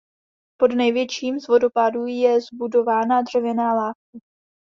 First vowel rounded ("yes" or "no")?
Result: yes